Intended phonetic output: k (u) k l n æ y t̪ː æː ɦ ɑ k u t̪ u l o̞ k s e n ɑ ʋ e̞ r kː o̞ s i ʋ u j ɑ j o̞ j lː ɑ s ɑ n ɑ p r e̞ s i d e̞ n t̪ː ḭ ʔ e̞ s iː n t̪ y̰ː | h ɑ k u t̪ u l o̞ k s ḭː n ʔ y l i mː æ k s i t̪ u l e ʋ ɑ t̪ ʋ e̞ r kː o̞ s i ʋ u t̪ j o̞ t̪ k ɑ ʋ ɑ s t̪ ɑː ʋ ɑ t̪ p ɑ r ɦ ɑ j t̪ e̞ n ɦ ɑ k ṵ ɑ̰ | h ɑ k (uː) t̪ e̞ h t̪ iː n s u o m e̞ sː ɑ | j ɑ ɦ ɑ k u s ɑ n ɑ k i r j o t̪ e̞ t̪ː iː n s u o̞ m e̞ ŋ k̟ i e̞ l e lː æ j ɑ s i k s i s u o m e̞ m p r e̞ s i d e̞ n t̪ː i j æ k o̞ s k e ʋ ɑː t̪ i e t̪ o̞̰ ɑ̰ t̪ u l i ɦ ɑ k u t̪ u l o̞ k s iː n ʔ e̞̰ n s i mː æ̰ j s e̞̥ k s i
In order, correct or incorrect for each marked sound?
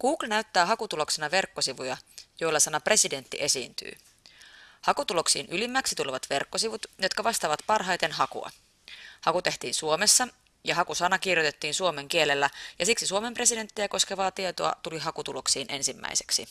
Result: incorrect: uː, incorrect: u

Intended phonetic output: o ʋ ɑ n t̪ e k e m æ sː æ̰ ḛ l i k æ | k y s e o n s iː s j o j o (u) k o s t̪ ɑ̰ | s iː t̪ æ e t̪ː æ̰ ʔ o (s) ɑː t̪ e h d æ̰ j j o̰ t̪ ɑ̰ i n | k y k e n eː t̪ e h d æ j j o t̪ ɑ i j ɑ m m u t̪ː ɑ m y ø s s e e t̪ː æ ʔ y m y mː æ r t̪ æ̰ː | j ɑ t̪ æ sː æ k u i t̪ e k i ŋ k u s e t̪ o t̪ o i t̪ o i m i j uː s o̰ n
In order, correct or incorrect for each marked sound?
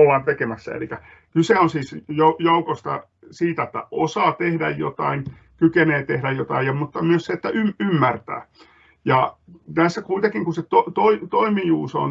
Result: correct, correct

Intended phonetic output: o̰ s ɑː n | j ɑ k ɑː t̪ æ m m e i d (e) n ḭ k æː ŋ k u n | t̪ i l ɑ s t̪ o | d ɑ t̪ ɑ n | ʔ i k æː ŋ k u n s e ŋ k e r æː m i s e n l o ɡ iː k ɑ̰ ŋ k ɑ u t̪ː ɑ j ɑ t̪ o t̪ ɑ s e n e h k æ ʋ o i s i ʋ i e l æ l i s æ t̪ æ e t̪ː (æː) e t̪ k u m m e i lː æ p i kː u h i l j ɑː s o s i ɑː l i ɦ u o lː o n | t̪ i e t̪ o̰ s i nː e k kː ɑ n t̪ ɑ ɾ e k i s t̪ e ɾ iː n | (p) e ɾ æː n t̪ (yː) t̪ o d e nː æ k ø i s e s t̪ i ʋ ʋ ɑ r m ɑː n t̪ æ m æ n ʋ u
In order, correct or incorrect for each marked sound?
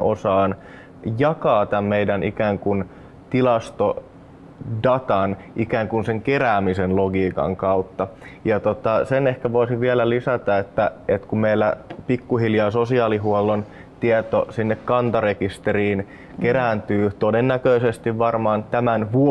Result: incorrect: æ, incorrect: æ, incorrect: k, correct

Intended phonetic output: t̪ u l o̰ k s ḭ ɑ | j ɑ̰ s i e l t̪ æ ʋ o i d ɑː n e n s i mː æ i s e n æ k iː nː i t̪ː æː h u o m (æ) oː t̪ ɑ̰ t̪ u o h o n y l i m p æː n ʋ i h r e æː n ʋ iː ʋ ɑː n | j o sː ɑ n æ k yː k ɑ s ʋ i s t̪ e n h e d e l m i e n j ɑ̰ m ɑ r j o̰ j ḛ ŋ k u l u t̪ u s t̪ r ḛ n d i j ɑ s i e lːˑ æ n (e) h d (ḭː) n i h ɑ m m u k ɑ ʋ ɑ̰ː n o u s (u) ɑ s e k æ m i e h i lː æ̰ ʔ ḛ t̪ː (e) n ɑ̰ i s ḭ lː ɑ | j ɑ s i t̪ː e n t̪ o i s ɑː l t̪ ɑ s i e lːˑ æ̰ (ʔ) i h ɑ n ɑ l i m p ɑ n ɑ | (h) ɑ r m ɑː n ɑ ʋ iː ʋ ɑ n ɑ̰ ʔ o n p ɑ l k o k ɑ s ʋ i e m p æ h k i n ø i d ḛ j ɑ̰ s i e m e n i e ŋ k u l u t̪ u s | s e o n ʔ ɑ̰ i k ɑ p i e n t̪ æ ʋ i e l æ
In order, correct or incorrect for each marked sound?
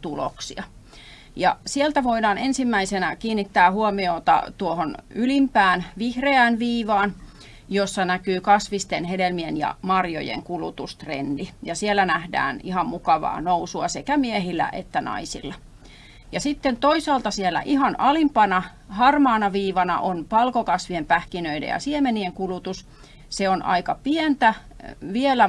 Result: incorrect: i, incorrect: æ, incorrect: æ̰ː, correct, incorrect: æ, correct, correct

